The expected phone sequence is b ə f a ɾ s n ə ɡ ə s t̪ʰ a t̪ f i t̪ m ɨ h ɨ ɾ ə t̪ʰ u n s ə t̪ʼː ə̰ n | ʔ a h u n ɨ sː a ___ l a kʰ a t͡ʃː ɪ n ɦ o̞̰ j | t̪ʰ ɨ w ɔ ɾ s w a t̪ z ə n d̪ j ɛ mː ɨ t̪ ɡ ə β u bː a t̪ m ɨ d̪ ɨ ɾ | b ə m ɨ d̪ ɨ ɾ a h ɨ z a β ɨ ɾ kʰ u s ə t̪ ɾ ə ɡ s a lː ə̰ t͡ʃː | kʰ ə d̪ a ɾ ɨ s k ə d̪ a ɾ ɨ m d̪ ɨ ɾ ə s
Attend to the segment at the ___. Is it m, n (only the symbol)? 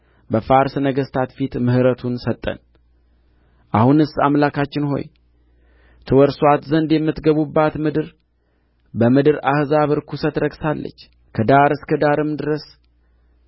m